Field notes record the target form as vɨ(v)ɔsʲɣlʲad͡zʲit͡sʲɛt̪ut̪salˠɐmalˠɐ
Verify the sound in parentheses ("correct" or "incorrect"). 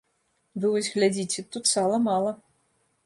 correct